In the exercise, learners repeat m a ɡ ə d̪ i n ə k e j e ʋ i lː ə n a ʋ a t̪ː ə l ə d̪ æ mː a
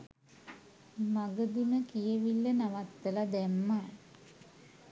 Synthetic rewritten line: m a ɡ ə d̪ i m ə k i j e ʋ i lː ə n a ʋ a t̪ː ə l a d̪ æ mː a